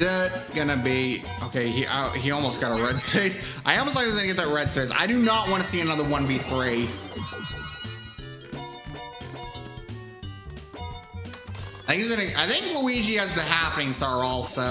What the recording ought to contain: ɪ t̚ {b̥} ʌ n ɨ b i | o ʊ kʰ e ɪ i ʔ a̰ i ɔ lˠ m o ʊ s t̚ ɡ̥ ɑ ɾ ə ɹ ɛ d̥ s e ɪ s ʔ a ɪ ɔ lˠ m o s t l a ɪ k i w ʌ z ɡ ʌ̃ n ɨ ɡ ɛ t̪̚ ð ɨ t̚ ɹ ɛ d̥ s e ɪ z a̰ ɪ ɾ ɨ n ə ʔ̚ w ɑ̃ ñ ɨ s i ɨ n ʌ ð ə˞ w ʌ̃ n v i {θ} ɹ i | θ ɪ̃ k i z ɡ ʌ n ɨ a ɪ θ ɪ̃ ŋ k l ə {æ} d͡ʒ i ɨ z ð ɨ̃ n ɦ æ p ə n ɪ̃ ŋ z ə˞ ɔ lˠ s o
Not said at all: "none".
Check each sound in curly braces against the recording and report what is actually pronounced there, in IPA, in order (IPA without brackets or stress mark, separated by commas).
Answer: ɡ̥, θ, i